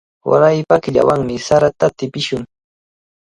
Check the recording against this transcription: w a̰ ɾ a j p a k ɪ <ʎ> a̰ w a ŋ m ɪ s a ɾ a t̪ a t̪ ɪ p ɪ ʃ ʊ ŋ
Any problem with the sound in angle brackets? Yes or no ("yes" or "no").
no